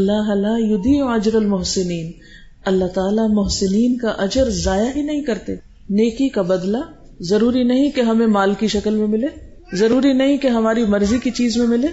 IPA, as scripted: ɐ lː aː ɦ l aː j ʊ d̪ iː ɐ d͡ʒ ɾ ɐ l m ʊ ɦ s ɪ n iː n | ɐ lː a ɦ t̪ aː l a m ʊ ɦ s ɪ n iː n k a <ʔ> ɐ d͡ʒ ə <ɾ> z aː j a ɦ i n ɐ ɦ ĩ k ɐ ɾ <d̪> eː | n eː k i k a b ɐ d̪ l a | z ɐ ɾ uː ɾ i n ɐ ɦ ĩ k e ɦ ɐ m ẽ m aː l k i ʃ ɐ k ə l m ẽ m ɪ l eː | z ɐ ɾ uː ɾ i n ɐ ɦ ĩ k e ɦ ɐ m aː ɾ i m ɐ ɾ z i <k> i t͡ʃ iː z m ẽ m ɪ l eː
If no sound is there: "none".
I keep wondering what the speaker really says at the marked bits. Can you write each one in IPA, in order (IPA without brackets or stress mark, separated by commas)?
ʔ, ɾ, t̪, k